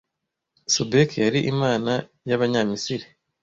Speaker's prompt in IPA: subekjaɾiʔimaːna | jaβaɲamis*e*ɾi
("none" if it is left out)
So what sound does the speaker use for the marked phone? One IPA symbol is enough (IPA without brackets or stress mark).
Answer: i